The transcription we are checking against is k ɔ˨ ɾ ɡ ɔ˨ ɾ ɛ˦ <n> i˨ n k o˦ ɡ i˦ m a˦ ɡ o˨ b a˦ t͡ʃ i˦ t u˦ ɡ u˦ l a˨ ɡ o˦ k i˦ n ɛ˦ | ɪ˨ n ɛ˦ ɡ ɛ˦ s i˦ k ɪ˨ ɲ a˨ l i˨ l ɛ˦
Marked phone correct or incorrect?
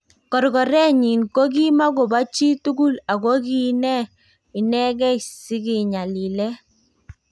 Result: incorrect